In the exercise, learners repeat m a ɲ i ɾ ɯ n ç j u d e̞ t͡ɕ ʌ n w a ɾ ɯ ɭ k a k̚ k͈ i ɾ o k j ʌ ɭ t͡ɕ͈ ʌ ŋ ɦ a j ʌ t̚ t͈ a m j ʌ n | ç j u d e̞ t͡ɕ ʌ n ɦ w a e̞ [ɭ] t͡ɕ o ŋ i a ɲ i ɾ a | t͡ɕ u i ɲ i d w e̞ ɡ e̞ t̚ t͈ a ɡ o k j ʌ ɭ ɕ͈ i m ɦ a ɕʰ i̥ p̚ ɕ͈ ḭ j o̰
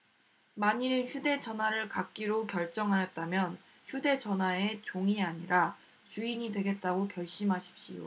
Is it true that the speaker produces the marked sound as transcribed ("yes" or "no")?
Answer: no